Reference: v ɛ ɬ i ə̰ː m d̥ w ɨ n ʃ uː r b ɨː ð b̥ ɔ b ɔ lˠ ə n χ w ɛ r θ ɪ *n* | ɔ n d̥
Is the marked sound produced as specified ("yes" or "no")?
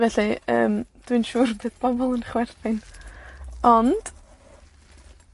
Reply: yes